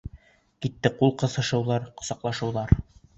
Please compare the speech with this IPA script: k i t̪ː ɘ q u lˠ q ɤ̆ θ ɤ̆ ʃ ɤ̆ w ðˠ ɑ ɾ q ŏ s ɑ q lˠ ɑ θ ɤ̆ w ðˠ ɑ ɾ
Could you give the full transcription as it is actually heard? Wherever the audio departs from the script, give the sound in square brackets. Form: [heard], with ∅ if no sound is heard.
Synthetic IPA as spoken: k i t̪ː ɘ q u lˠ q ɤ̆ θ ɤ̆ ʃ ɤ̆ w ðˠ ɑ ɾ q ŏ s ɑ q lˠ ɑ [ʃ] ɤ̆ w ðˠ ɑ ɾ